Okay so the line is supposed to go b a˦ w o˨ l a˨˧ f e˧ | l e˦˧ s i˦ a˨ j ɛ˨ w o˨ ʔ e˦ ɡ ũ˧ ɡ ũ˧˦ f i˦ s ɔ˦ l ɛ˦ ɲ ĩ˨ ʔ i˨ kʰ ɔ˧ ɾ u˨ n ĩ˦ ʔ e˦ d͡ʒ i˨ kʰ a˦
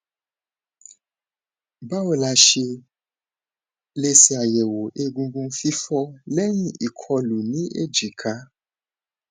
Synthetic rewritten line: b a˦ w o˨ l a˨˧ ʃ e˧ | l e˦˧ s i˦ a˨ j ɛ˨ w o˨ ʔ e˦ ɡ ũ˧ ɡ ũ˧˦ f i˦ f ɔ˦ l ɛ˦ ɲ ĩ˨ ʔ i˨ kʰ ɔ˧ l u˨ n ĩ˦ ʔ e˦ d͡ʒ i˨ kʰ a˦